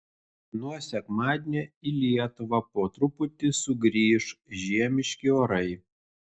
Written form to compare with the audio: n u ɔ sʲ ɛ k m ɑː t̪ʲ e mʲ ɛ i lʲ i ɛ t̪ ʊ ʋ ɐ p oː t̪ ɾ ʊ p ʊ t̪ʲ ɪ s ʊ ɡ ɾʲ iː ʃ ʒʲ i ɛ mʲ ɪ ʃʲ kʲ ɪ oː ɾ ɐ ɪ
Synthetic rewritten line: n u ɔ sʲ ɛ k m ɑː d̪ʲ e nʲ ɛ i lʲ i ɛ t̪ ʊ ʋ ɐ p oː t̪ ɾ ʊ p ʊ t̪ʲ ɪ s ʊ ɡ ɾʲ iː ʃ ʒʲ i ɛ mʲ ɪ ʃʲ kʲ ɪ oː ɾ ɐ ɪ